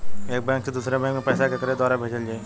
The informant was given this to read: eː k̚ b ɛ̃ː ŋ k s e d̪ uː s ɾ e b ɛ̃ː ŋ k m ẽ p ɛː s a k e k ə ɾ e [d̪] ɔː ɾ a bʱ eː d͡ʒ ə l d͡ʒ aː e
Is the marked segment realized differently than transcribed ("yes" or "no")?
no